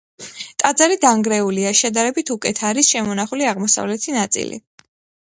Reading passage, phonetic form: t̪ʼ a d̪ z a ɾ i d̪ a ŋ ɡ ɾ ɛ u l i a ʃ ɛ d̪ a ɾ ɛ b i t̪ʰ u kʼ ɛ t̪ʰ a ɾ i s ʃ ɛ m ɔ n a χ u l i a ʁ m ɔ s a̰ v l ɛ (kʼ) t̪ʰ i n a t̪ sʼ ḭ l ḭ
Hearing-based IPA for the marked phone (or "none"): none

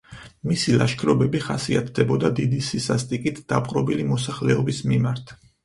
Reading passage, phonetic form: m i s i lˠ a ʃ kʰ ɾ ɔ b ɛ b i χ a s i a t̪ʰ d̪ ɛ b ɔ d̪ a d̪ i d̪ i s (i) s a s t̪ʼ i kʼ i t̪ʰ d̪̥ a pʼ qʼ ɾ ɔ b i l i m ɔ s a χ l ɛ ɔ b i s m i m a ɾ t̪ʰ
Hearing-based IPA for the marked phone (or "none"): i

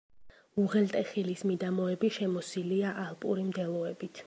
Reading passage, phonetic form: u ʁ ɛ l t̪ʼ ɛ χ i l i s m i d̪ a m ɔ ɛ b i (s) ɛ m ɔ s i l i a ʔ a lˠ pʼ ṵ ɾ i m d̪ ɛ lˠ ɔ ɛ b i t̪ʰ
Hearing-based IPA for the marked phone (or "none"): ʃ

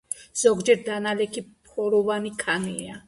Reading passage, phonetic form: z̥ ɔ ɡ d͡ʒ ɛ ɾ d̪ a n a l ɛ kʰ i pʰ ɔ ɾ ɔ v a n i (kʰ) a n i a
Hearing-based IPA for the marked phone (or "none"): kʰ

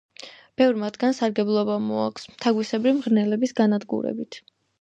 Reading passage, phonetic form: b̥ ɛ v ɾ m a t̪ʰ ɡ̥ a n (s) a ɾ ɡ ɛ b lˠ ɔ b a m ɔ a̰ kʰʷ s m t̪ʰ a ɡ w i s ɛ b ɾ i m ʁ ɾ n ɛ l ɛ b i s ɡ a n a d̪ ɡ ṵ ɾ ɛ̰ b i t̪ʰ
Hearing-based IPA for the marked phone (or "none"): s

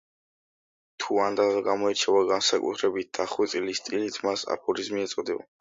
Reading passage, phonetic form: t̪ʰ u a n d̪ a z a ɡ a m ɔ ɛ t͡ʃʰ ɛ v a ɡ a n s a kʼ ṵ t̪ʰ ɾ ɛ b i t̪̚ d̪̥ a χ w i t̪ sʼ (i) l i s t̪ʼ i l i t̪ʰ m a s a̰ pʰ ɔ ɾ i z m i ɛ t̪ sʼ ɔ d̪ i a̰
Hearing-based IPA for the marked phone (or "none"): i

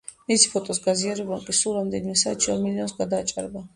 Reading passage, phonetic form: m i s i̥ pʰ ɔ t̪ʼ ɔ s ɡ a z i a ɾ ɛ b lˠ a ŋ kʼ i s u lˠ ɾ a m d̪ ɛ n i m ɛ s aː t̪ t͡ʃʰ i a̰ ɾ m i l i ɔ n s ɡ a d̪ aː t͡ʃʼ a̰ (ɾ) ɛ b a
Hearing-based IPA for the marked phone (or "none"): ɾ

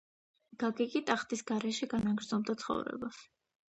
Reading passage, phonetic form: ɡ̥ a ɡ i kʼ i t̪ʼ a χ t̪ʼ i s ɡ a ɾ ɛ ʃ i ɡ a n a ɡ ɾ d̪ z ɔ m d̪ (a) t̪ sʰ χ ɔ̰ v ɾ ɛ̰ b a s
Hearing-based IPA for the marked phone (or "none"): a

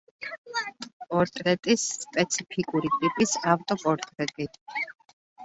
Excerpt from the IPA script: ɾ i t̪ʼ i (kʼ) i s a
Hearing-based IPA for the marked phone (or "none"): pʼ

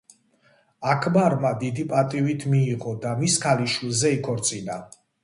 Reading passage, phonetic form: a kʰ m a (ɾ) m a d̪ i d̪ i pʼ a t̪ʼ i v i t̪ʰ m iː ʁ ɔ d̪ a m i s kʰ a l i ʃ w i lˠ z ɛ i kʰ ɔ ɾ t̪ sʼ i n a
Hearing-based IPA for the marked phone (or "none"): ɾ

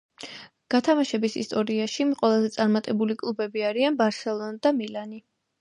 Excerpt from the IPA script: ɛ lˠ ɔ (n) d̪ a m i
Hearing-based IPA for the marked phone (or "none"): n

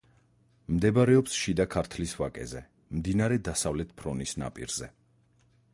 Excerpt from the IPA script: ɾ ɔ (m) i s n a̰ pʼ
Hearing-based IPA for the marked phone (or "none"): n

